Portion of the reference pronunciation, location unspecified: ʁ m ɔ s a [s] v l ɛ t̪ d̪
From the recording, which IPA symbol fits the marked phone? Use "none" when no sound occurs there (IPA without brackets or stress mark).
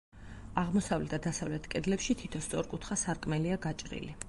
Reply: none